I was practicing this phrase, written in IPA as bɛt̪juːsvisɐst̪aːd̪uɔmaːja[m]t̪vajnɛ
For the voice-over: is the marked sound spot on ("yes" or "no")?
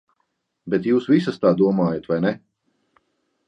no